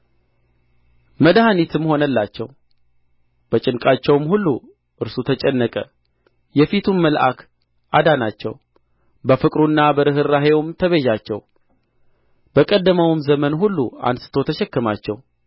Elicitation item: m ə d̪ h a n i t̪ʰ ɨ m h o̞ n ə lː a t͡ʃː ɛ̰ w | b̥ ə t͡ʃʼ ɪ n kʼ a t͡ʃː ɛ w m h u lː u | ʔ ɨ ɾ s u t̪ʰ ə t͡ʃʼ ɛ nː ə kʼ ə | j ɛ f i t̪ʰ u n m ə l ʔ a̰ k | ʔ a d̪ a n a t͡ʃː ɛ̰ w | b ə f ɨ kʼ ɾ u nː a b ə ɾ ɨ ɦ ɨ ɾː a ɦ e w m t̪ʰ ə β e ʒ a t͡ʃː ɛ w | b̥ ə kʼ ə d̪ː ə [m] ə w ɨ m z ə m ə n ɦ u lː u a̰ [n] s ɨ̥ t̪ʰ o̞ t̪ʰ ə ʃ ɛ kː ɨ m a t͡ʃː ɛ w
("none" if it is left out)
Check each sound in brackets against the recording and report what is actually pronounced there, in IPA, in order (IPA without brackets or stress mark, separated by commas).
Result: m, n